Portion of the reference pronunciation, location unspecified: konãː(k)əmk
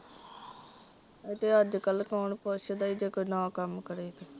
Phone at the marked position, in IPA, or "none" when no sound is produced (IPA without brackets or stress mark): k